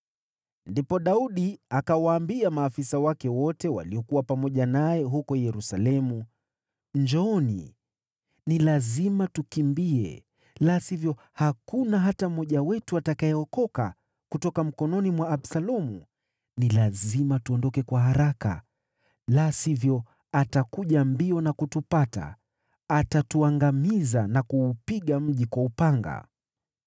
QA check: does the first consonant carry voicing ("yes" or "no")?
yes